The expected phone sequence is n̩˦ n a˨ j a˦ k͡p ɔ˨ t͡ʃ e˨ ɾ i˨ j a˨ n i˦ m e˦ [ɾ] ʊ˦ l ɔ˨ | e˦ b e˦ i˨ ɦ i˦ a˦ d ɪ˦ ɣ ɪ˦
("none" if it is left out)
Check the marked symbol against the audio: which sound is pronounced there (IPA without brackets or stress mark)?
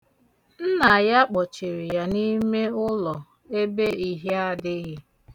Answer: none